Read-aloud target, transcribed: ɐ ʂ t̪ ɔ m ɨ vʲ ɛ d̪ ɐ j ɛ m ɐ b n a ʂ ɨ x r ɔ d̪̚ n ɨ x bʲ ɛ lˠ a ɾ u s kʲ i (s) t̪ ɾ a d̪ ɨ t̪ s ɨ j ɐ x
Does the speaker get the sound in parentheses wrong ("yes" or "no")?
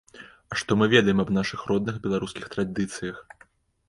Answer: yes